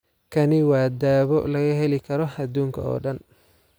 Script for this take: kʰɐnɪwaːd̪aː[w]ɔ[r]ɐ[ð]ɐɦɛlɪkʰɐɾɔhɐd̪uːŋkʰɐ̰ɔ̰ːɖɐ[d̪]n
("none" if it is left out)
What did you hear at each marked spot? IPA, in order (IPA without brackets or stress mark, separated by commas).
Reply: β, l, ɣ, none